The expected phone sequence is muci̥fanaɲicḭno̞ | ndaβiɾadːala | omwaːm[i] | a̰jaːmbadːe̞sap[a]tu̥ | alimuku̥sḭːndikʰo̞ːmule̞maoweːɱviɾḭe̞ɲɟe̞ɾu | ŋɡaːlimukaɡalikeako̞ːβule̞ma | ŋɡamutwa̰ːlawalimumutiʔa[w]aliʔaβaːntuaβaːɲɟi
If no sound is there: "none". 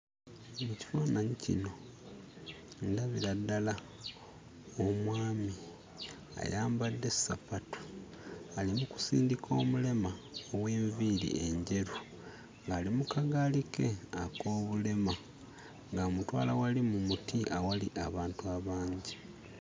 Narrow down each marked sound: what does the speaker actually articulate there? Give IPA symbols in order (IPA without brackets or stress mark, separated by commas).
i, a, w